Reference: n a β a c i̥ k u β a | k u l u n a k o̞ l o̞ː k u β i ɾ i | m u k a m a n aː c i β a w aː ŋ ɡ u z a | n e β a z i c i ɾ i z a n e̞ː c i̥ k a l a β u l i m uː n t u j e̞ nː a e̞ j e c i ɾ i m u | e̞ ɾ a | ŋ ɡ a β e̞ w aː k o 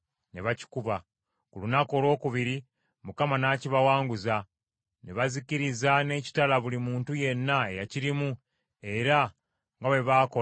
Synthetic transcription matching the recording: n e β a c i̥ k u β a | k u l u n a k o̞ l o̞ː k u β i ɾ i | m u k a m a n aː c i β a w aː ŋ ɡ u z a | n e β a z i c i ɾ i z a n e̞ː c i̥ t a l a β u l i m uː n t u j e̞ nː a e̞ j a c i ɾ i m u | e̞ ɾ a | ŋ ɡ a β e̞ β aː k o